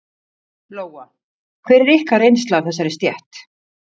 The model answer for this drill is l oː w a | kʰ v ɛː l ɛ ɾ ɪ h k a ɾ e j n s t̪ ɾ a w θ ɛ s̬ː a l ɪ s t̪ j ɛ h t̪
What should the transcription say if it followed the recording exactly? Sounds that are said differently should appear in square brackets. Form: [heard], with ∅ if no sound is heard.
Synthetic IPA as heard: l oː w a | kʰ v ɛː [ɾ] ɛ ɾ ɪ h k a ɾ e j n s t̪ [l] a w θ ɛ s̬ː a [ɾ] ɪ s t̪ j ɛ h t̪